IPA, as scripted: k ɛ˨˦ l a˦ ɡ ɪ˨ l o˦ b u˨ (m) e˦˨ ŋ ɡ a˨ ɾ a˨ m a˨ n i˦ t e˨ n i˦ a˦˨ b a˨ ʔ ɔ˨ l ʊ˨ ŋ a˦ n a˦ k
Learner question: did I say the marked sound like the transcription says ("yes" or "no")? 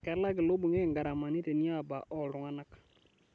no